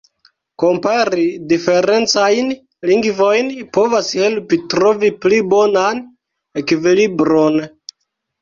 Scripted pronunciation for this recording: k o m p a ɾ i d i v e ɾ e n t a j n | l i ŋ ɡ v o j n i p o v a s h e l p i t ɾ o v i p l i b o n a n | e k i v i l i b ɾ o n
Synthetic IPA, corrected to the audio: k o m p a ɾ i d i f e ɾ e n t͡s a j n | l i ŋ ɡ v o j n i p o v a s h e l p i t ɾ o v i p l i b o n a n | e k i v i l i b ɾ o n